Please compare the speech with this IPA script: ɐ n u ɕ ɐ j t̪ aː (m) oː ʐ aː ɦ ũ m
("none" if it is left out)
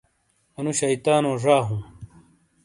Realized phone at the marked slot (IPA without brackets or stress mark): n